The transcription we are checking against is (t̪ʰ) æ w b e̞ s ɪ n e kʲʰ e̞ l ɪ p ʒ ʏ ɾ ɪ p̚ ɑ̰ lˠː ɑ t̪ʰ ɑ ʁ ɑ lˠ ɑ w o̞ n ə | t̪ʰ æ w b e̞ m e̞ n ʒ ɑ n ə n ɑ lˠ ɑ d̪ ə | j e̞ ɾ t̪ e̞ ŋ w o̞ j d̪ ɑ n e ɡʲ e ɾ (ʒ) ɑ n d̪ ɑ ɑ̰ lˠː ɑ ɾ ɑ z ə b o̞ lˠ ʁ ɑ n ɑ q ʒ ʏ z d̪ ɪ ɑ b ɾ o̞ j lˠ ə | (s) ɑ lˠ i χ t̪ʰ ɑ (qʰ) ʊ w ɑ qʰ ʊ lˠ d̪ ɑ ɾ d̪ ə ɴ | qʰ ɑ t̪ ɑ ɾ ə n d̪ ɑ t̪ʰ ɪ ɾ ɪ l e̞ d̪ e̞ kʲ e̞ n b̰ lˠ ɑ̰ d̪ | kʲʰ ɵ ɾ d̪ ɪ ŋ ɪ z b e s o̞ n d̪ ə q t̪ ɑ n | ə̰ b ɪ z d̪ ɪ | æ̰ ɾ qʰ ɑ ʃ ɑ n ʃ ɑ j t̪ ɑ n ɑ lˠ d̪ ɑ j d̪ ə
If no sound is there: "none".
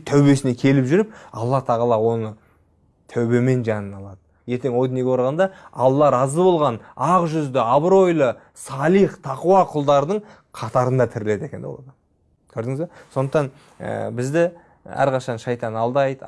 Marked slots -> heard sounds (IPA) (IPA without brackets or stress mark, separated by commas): t̪ʰ, ʁ, s, q